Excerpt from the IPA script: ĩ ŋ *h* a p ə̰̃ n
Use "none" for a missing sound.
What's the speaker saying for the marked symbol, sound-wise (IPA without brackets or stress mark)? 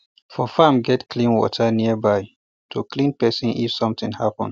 h